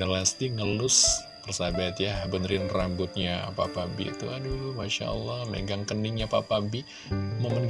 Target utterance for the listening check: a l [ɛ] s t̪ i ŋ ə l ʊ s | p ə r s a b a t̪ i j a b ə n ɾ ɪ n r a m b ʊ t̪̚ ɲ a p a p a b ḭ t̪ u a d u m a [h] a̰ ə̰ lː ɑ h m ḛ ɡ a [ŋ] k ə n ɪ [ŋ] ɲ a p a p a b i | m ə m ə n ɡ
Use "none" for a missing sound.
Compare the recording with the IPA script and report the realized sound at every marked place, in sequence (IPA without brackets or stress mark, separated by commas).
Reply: a, ʃ, ŋ, ŋ